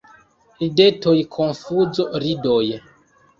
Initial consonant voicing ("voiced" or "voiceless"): voiced